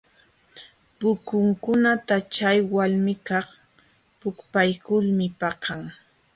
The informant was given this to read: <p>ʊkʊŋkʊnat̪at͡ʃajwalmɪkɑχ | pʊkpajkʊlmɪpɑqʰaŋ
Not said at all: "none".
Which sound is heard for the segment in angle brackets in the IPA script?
p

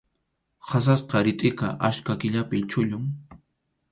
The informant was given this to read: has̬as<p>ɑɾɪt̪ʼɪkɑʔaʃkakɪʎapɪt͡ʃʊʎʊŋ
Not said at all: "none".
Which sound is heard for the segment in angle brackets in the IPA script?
q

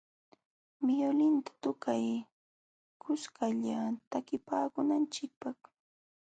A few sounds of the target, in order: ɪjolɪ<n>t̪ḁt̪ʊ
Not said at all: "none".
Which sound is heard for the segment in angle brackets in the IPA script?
n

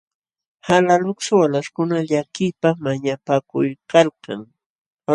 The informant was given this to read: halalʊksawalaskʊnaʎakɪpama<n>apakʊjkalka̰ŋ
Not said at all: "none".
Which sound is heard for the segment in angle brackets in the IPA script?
ɲ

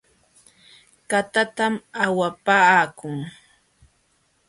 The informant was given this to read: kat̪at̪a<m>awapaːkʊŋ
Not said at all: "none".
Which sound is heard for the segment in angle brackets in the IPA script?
m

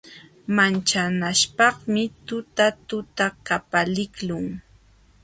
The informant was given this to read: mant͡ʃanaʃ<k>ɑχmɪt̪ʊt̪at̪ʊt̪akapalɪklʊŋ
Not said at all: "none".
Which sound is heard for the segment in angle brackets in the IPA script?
p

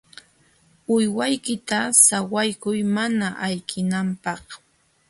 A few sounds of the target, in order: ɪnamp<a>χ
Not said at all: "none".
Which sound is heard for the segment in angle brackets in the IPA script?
ɑ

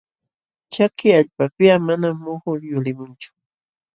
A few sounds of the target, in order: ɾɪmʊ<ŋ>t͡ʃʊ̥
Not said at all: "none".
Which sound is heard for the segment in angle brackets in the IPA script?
n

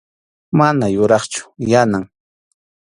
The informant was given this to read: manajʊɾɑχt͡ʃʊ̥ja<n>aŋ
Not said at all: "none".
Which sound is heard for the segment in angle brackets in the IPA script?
n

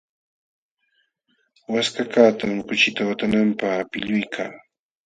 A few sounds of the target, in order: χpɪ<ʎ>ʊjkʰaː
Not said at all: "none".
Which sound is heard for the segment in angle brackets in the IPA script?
ʎ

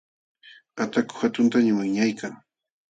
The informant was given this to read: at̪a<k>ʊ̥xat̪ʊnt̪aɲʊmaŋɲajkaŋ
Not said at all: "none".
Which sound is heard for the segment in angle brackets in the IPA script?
k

